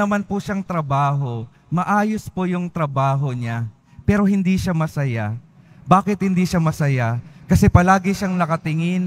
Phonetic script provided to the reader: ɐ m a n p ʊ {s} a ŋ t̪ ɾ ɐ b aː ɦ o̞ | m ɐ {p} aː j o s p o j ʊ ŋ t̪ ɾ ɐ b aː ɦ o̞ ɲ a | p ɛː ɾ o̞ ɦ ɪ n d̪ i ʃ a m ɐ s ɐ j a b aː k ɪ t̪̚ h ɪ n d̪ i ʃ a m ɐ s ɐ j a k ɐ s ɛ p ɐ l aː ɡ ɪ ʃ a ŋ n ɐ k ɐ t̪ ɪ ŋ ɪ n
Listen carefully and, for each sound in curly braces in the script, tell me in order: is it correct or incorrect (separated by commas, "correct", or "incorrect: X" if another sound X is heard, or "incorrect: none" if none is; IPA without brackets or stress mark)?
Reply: incorrect: ʃ, incorrect: ʔ